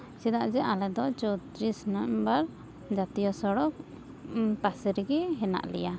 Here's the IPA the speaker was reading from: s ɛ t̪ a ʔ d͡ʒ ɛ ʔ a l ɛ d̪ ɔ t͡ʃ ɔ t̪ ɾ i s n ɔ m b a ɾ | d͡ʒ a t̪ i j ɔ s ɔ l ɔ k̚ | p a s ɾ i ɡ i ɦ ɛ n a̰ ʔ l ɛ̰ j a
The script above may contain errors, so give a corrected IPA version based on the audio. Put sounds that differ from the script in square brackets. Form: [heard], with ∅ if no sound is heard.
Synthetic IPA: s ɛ [d̪] a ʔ d͡ʒ ɛ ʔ a l ɛ d̪ ɔ t͡ʃ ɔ t̪ ɾ i s n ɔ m b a ɾ | d͡ʒ a t̪ i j ɔ s ɔ [ɽ] ɔ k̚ | p a s ɾ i ɡ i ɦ ɛ n a̰ ʔ l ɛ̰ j a